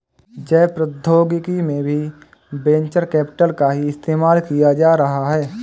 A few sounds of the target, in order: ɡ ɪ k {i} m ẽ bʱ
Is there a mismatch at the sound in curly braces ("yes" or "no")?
no